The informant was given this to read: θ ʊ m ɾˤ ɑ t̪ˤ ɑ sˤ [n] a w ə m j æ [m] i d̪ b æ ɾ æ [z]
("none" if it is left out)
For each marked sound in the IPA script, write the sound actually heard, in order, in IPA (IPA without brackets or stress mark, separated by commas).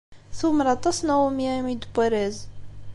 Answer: n, m, z